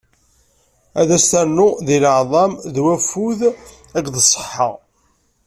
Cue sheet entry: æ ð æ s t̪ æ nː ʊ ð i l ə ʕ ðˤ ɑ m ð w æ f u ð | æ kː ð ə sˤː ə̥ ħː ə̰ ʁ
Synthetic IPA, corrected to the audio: æ ð æ s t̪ æ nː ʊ ð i l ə ʕ ðˤ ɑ m ð w æ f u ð | æ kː ð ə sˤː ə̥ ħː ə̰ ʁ